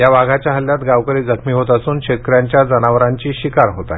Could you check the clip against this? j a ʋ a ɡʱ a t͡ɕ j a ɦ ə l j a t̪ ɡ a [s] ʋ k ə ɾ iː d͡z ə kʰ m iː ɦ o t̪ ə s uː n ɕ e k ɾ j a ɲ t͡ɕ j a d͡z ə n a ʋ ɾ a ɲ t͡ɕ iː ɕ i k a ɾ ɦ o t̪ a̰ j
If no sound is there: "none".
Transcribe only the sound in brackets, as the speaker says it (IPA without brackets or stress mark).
none